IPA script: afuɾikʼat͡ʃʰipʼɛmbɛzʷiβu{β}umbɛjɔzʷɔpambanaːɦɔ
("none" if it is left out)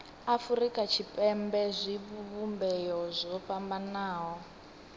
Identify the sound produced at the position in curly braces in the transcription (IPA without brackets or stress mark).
β